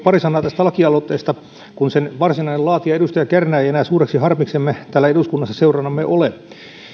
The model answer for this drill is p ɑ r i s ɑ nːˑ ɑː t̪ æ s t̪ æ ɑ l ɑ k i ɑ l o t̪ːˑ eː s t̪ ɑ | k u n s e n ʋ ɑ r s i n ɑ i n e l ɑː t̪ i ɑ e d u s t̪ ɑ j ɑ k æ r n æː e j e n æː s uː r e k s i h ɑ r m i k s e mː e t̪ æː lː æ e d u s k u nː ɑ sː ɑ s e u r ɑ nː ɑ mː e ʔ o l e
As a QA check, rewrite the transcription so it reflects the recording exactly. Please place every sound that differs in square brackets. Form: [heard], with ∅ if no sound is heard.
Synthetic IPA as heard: p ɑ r i s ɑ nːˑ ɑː t̪ æ s t̪ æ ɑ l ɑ k i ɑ l o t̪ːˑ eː s t̪ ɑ | k u n s e n ʋ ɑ r s i n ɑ i n e l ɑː t̪ i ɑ e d u s t̪ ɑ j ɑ k æ r n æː e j e n æː s uː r e k s i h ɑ r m i k s e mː e t̪ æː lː æ e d u s k u nː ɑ sː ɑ s e u r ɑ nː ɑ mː e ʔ o l e